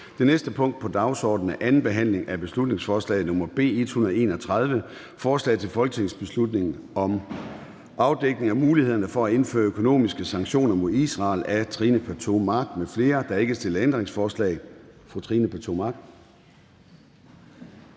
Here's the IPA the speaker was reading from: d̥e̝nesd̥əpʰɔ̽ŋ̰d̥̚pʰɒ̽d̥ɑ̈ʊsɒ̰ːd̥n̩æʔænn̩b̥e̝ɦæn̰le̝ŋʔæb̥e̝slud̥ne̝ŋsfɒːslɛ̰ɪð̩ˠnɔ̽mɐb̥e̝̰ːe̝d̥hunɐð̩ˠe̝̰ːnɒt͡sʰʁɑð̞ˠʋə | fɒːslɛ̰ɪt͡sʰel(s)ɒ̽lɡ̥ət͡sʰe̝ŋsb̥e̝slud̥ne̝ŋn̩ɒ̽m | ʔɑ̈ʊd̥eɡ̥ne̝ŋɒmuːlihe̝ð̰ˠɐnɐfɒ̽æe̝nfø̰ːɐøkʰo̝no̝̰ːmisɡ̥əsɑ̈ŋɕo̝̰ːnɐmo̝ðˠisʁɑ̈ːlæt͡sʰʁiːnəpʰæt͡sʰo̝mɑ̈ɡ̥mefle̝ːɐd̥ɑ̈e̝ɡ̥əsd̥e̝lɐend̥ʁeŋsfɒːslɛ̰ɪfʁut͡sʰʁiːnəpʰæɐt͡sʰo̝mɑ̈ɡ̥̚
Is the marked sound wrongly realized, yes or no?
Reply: yes